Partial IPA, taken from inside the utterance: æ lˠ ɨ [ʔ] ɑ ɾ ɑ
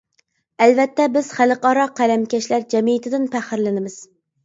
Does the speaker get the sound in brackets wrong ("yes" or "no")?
yes